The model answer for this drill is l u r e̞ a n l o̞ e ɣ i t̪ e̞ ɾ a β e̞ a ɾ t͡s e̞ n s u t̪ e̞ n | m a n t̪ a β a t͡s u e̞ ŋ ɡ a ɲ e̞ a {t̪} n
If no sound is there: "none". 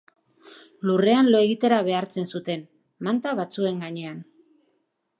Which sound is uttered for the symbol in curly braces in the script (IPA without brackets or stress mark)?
none